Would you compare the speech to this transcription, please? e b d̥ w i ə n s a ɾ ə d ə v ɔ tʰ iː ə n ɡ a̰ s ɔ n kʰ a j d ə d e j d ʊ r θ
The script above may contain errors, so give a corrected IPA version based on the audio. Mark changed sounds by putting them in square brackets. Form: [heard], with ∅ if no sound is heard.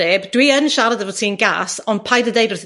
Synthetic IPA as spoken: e b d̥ w i ə n [ʃ] a ɾ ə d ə v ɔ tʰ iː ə n ɡ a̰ s ɔ n [pʰ] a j d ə d e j d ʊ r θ